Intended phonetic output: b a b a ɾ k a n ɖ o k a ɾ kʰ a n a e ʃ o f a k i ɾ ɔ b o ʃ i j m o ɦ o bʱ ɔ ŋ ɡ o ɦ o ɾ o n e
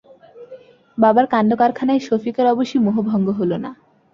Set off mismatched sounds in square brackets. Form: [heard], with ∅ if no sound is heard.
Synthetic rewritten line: b a b a ɾ k a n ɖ o k a ɾ kʰ a n a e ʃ o f [i] k [a] ɾ ɔ b o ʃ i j m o ɦ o bʱ ɔ ŋ ɡ o ɦ o [l] o n [a]